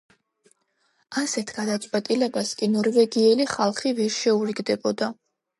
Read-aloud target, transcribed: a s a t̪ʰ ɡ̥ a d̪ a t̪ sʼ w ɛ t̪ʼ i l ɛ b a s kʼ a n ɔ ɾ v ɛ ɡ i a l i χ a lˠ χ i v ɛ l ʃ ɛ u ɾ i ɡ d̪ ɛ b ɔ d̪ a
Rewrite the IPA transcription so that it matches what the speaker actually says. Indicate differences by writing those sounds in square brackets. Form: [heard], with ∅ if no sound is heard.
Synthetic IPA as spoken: a s [ɛ] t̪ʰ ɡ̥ a d̪ a t̪ sʼ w ɛ t̪ʼ i l ɛ b a s kʼ [i] n ɔ ɾ v ɛ ɡ i [ɛ] l i χ a lˠ χ i v ɛ [ɾ] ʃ ɛ u ɾ i ɡ d̪ ɛ b ɔ d̪ a